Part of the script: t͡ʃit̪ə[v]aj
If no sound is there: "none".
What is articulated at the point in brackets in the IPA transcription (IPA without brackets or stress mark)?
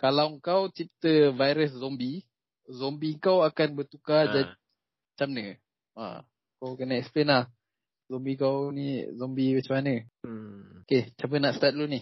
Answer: v